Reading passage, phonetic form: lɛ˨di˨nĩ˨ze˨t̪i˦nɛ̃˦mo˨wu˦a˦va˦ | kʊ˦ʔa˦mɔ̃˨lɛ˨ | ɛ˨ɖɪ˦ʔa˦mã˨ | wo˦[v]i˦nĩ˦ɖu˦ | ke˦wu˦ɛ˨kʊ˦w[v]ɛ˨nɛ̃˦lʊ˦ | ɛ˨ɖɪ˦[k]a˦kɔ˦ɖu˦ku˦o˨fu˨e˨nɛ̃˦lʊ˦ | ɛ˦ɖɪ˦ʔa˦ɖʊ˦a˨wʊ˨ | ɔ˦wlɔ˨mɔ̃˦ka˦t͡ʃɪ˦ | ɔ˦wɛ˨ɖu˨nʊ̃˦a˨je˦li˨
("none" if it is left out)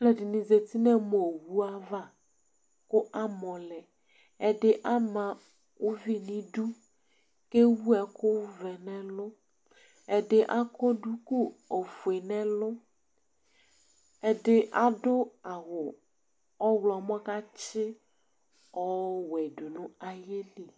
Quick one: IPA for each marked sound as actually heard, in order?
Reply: v, v, ʔ

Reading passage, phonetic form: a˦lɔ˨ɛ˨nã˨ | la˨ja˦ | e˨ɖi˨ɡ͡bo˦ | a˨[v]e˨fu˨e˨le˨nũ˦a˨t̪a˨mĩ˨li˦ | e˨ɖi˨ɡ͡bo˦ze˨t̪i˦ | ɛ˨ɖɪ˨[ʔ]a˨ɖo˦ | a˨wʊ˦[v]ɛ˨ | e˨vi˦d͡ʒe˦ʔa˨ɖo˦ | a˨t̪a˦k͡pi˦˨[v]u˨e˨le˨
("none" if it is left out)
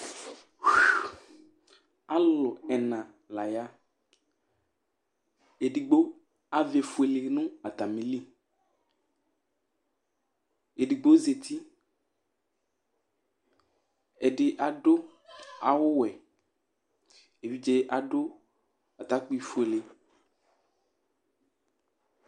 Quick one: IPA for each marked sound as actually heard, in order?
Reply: v, ʔ, w, f

